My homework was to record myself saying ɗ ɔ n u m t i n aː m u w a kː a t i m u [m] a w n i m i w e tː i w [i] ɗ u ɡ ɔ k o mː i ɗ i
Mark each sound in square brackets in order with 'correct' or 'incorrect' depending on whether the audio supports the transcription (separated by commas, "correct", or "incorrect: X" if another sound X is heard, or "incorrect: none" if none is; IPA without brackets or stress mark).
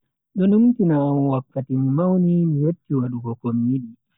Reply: correct, incorrect: a